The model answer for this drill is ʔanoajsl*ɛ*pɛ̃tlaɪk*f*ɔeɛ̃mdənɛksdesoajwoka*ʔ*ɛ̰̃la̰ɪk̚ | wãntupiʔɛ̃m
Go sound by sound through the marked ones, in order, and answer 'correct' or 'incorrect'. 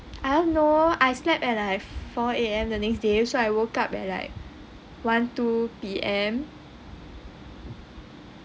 correct, correct, incorrect: p

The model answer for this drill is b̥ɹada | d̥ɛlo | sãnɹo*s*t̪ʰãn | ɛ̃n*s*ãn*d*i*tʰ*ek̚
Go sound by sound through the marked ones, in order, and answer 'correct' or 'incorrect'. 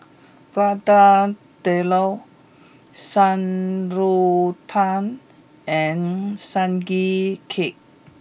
incorrect: none, correct, incorrect: ɡ, incorrect: kʰ

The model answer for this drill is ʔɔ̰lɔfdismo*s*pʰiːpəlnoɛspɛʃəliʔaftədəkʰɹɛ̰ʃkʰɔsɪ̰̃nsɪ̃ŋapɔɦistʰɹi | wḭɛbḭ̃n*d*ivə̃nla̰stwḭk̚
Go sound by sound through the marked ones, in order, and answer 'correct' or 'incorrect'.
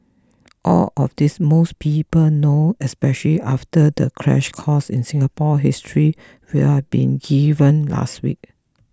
correct, incorrect: ɡ

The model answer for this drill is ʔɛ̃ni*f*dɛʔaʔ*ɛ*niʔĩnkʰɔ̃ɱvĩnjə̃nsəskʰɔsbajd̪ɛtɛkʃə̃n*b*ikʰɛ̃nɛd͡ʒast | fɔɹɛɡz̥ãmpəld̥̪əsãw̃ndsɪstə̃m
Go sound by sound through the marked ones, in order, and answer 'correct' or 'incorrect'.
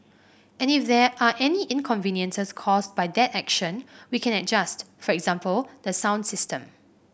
correct, correct, incorrect: w

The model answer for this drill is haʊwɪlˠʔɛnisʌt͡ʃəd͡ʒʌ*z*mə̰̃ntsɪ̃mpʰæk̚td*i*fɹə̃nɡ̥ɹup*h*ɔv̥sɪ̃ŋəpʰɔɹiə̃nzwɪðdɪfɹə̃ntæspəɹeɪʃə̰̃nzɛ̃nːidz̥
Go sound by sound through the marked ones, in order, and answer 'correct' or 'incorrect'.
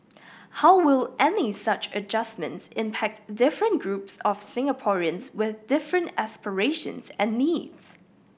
incorrect: s, incorrect: ɪ, incorrect: s

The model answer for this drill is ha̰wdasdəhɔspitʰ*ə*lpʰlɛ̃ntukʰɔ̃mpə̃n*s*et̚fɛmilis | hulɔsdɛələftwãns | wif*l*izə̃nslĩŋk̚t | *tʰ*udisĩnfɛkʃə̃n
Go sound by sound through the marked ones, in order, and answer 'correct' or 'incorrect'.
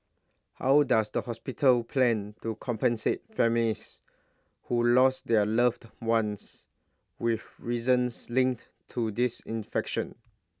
correct, correct, incorrect: ɹ, correct

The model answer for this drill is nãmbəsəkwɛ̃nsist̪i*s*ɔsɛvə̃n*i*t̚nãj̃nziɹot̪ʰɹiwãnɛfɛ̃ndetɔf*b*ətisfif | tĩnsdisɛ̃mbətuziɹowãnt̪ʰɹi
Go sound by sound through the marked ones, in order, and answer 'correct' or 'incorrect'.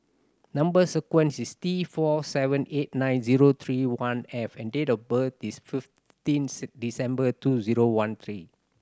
incorrect: f, incorrect: e, correct

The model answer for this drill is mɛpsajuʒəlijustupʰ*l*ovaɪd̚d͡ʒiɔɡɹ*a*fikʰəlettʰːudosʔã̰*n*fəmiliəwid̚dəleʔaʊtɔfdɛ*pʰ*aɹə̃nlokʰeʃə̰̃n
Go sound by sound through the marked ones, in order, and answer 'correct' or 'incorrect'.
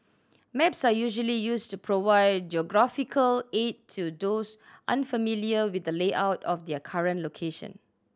incorrect: ɹ, correct, correct, incorrect: kʰ

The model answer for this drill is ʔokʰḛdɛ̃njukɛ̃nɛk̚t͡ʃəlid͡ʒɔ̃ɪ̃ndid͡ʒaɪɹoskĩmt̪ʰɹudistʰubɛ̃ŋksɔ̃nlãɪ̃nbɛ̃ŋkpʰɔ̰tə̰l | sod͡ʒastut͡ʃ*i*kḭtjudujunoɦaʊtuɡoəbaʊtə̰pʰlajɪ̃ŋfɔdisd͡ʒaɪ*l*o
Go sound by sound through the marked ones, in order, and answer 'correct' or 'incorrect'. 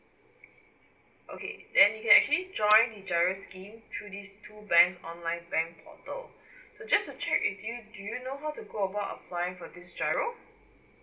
incorrect: ɛ, incorrect: ɹ

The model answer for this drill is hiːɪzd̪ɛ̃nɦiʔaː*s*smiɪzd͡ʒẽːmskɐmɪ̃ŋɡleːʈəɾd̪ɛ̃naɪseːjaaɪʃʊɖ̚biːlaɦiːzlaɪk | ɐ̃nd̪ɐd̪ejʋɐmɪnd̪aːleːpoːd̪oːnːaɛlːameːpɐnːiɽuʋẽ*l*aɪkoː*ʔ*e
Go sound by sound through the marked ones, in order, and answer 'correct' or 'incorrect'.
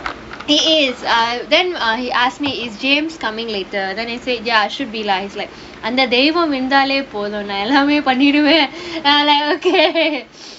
correct, correct, incorrect: k

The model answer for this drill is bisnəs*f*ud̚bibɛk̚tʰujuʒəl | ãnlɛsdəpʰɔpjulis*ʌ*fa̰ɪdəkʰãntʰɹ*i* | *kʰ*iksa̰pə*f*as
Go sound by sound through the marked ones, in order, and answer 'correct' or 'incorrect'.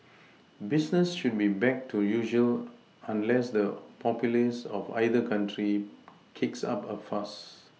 incorrect: ʃ, incorrect: ɔ, correct, correct, correct

